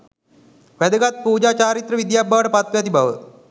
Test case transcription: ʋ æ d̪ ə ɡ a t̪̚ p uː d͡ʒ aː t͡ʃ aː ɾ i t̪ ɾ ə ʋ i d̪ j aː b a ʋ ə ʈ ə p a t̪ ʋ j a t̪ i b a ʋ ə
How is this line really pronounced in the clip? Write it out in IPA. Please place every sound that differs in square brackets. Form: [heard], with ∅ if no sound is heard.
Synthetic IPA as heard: ʋ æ d̪ ə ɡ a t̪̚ p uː d͡ʒ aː t͡ʃ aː ɾ i t̪ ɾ ə ʋ i d̪ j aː b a ʋ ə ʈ ə p a t̪ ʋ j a t̪ i b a ʋ ə